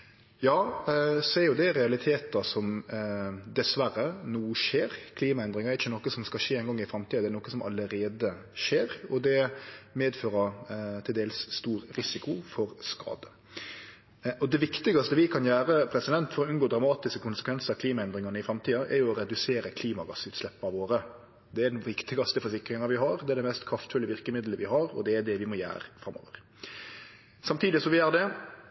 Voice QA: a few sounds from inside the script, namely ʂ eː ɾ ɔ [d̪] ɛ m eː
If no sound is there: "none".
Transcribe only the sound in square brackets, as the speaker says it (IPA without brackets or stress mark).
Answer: d̪